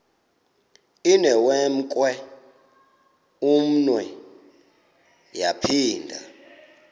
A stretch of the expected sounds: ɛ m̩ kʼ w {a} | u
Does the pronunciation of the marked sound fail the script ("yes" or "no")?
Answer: yes